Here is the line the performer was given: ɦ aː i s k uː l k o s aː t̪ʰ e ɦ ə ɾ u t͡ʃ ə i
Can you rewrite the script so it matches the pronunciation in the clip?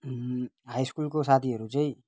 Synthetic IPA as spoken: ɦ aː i s k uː l k o s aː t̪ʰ i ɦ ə ɾ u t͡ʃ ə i

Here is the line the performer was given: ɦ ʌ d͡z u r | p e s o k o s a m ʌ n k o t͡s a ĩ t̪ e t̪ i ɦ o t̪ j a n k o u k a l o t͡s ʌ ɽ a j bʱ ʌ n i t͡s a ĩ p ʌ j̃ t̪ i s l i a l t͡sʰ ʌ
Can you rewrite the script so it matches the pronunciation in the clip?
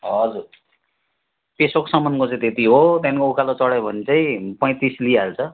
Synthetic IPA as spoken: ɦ ʌ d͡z u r | p e s o k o s ʌ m ʌ n k o t͡s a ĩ t̪ e t̪ i ɦ o t̪ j a n k o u k a l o t͡s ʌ ɽ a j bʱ ʌ n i t͡s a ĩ p ʌ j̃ t̪ i s l i a l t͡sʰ ʌ

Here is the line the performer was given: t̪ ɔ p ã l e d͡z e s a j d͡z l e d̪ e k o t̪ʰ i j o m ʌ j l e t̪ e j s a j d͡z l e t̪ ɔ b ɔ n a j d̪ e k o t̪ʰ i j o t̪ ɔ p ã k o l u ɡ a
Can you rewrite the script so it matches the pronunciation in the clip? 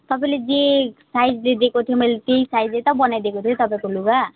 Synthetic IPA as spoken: t̪ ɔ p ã l e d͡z e s a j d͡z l e d̪ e k o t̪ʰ i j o m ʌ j l e t̪ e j s a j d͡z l e t̪ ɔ b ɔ n a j d̪ e k o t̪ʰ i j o t̪ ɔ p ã k o l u ɡ a

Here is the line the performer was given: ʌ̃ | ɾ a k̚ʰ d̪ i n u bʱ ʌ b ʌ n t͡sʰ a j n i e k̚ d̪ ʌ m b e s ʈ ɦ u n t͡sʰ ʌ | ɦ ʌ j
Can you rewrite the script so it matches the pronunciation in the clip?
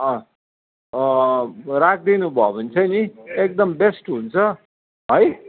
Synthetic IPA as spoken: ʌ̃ | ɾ a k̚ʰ d̪ i n u bʱ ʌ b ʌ n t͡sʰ ʌ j n i e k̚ d̪ ʌ m b e s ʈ ɦ u n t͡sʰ ʌ | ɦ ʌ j

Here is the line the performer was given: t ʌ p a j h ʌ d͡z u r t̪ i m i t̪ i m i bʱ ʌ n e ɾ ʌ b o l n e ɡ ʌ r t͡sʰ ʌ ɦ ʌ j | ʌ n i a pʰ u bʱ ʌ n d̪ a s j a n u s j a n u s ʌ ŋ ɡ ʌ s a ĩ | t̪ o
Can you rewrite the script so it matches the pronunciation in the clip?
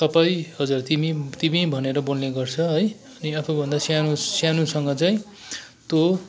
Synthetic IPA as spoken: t ʌ p a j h ʌ d͡z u r t̪ i m i t̪ i m i bʱ ʌ n e ɾ ʌ b o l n e ɡ ʌ r t͡sʰ ʌ ɦ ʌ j | ʌ n i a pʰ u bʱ ʌ n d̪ a s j a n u s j a n u s ʌ ŋ ɡ ʌ t͡s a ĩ | t̪ o

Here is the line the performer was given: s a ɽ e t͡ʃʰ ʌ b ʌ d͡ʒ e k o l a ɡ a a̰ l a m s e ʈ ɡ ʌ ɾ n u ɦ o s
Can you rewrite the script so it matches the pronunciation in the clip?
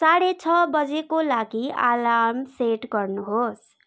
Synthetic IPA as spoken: s a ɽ e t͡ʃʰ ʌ b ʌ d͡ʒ e k o l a ɡ i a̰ l a m s e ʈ ɡ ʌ ɾ n u ɦ o s

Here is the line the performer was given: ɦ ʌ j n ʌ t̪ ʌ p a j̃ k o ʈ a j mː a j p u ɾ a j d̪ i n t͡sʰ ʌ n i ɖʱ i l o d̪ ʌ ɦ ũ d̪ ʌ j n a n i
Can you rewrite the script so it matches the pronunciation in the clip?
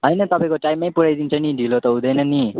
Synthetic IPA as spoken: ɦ ʌ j n ʌ t̪ ʌ p a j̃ k o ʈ a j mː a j p u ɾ a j d̪ i n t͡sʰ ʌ n i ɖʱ i l o t̪ ʌ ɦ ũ d̪ ʌ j n ʌ n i

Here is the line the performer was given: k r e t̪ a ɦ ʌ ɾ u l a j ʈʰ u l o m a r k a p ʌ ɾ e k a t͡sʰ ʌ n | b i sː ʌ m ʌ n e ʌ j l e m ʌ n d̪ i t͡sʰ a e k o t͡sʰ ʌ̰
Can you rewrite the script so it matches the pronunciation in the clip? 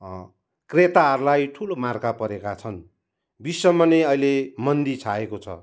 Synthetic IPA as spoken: k r e t̪ a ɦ ʌ ɾ u l a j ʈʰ u l o m a r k a p ʌ ɾ e k a t͡sʰ ʌ n | b i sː ʌ m ʌ n e ʌ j l e m ʌ n d̪ i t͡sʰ a e k o t͡sʰ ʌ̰

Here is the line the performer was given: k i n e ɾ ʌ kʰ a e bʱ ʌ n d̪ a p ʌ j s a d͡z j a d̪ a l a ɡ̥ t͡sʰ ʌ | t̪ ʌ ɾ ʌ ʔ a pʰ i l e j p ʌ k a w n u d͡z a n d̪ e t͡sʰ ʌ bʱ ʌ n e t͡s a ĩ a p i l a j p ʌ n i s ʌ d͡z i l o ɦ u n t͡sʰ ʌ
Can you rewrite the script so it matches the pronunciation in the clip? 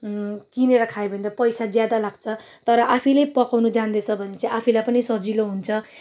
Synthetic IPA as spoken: k i n e ɾ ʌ kʰ a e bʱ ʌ n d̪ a p ʌ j s a d͡z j a d̪ a l a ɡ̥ t͡sʰ ʌ | t̪ ʌ ɾ ʌ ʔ a pʰ i l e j p ʌ k a w n u d͡z a n d̪ e t͡sʰ ʌ bʱ ʌ n e t͡s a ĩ a pʰ i l a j p ʌ n i s ʌ d͡z i l o ɦ u n t͡sʰ ʌ

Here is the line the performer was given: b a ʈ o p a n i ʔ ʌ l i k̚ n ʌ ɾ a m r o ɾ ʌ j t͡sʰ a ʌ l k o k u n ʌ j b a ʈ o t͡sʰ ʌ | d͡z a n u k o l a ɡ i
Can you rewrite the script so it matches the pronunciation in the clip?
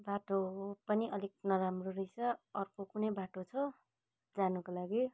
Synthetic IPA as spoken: b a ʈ o p ʌ n i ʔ ʌ l i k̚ n ʌ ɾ a m r o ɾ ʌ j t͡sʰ ʌ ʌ r k o k u n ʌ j b a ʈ o t͡sʰ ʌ | d͡z a n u k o l a ɡ i

